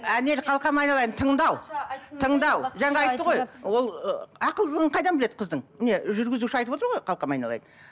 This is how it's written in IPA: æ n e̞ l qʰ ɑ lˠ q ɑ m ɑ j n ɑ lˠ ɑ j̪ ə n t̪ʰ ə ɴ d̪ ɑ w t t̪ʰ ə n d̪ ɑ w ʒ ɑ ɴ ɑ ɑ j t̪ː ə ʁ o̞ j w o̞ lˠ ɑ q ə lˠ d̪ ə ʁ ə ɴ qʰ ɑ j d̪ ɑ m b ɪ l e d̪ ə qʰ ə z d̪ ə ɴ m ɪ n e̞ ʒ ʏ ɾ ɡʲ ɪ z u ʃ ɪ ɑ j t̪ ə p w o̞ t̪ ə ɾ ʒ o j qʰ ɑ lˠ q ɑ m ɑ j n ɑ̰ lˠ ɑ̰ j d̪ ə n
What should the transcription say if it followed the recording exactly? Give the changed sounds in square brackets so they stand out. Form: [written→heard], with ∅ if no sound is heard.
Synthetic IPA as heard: æ n e̞ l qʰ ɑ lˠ q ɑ m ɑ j n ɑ lˠ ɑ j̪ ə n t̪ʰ ə ɴ d̪ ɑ w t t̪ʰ ə [n→ɴ] d̪ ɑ w ʒ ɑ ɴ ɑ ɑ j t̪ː ə ʁ o̞ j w o̞ lˠ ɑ q ə lˠ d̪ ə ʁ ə ɴ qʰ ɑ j d̪ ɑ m b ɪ l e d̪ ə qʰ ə z d̪ ə ɴ m ɪ n e̞ ʒ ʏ ɾ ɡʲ ɪ z u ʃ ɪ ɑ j t̪ ə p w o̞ t̪ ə ɾ [ʒ→ʁ] o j qʰ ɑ lˠ q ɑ m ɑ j n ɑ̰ lˠ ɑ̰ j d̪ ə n